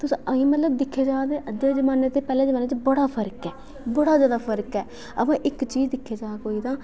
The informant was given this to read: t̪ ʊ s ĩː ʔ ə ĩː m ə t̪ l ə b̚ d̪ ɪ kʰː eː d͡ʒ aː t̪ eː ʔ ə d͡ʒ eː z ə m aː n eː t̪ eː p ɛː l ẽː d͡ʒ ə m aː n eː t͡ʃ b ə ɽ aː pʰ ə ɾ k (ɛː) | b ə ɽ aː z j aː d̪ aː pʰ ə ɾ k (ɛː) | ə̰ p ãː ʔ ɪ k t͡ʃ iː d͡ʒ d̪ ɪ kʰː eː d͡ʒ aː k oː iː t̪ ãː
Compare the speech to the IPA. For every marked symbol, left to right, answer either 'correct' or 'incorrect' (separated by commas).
correct, correct